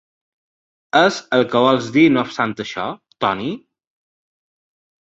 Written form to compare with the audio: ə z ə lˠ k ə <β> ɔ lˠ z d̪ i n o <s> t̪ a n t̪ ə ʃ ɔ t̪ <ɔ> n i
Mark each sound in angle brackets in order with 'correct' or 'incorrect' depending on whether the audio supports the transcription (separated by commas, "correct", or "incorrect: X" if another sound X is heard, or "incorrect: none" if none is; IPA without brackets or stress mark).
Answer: correct, correct, correct